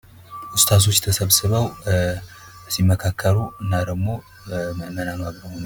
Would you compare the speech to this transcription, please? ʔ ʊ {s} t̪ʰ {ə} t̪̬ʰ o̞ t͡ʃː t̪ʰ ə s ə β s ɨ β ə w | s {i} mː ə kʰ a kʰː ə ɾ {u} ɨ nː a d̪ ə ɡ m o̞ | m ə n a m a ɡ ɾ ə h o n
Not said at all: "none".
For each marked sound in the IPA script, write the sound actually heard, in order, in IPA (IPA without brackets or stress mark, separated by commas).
s, a, i, u